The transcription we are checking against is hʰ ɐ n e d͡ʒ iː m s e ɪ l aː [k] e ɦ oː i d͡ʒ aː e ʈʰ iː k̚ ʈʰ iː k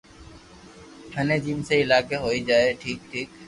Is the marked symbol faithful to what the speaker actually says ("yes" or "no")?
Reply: yes